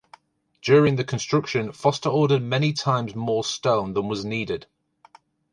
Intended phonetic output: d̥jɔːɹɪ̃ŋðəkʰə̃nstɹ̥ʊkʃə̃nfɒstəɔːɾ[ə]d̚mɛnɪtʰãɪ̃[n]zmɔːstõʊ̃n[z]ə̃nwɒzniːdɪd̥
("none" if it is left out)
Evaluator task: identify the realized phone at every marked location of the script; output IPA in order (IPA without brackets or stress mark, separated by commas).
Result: ə, m, ð